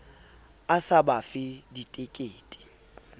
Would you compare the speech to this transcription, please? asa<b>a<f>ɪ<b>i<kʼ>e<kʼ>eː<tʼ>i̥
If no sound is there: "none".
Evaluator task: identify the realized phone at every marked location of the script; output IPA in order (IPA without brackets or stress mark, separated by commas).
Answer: b, f, d, tʼ, kʼ, tʼ